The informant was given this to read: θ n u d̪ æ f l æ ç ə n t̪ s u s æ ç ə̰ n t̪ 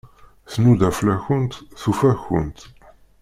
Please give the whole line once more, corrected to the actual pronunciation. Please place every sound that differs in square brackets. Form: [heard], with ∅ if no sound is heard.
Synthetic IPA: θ n u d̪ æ f l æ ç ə n t̪ [θ] u [f] æ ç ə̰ n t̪